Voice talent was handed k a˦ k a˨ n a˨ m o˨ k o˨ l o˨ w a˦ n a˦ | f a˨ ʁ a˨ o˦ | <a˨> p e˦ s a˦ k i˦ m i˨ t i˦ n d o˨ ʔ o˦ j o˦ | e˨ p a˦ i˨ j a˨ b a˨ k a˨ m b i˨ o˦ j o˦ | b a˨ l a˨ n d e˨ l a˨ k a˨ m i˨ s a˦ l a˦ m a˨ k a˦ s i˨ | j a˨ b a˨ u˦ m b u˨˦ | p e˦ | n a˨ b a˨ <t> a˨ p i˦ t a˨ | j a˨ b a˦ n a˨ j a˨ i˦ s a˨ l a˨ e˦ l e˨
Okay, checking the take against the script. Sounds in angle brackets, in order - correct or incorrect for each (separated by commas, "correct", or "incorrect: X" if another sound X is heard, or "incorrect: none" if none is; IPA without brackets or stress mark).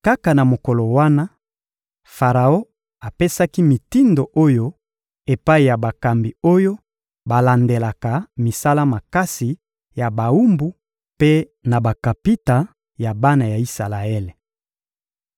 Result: correct, incorrect: k